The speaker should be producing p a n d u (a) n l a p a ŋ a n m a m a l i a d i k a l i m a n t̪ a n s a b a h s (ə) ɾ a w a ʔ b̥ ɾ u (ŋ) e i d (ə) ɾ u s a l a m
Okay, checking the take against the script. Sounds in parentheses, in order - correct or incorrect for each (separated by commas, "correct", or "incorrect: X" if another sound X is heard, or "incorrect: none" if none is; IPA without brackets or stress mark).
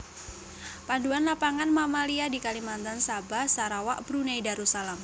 correct, incorrect: a, incorrect: n, incorrect: a